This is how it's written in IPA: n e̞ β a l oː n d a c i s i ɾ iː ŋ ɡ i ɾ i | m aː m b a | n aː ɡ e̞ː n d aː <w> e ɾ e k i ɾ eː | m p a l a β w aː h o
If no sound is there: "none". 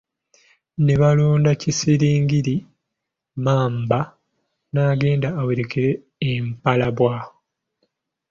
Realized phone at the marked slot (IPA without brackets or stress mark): w